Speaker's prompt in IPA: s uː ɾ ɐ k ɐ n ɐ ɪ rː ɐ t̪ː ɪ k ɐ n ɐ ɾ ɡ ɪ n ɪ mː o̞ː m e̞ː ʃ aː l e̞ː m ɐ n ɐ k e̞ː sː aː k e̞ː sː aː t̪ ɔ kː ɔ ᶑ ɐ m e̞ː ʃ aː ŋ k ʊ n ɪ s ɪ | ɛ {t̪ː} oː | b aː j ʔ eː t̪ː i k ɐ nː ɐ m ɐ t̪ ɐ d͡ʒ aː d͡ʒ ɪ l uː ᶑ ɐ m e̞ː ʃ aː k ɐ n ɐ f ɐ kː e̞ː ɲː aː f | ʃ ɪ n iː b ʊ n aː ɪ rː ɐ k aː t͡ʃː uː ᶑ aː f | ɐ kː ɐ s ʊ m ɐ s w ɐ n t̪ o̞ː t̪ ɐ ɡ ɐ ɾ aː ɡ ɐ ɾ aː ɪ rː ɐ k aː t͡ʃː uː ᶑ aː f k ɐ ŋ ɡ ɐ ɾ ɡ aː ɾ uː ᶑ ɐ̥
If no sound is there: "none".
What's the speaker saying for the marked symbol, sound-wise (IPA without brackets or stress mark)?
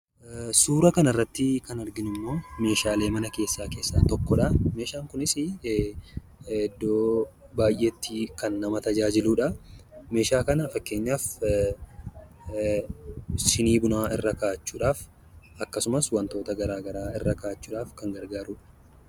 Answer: d̪ː